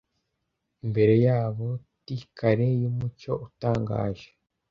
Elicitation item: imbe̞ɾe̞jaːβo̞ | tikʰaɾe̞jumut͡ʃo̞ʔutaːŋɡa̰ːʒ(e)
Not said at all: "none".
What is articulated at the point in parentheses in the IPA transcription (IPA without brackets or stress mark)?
e